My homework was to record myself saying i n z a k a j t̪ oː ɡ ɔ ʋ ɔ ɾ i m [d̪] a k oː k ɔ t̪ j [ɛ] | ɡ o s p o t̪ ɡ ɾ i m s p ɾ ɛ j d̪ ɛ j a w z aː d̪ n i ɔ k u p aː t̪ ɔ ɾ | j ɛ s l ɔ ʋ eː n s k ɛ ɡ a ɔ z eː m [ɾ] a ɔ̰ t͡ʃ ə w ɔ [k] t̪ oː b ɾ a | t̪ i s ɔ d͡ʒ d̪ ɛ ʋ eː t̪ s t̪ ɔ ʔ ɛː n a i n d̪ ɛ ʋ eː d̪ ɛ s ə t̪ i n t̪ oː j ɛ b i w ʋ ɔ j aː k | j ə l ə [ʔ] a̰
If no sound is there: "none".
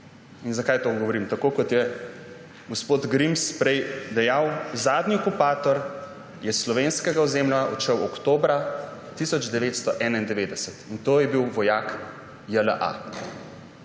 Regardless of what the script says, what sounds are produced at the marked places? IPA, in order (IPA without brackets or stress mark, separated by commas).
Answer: t̪, ɛ, l, k, ʔ